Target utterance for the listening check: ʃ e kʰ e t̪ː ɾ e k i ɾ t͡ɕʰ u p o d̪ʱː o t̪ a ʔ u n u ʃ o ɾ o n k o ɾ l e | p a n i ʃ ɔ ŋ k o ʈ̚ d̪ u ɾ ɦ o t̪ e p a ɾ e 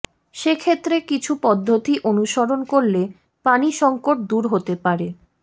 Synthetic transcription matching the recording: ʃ e kʰ e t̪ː ɾ e k i t͡ɕʰ u p ɔ d̪ʱː o t̪ i ʔ o n u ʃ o ɾ o n k o ɾ l e | p a n i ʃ ɔ ŋ k o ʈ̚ d̪ u ɾ ɦ o t̪ e p a ɾ e